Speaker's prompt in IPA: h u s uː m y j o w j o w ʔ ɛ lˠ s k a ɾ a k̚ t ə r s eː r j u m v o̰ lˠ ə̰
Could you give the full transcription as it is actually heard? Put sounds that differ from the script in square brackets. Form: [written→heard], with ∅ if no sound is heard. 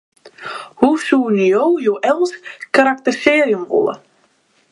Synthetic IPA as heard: h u s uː [m→n] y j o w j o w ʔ ɛ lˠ s k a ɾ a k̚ t ə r s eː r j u m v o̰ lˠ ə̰